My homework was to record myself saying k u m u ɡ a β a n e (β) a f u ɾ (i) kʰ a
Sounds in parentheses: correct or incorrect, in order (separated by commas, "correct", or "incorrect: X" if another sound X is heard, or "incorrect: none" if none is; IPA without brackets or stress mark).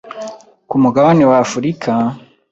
incorrect: w, correct